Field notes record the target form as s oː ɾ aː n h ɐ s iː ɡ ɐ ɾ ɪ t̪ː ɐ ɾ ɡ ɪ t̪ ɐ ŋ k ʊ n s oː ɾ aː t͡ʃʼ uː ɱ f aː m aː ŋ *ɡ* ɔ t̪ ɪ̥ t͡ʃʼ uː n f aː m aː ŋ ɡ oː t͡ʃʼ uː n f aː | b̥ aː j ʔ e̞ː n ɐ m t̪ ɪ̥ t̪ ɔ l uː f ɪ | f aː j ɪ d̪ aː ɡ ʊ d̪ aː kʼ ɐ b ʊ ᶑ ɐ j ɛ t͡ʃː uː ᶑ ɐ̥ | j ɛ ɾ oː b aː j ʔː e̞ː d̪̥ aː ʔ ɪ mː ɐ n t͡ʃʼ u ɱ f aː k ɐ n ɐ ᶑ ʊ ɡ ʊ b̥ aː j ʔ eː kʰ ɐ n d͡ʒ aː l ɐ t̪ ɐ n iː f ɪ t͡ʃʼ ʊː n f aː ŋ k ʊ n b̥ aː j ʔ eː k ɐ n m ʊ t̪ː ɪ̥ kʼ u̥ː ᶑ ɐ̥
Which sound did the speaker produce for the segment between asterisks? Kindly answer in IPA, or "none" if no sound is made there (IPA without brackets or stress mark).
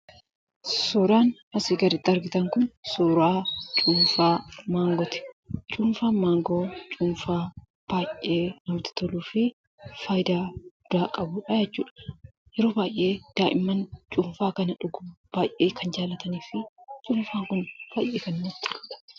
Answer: ɡ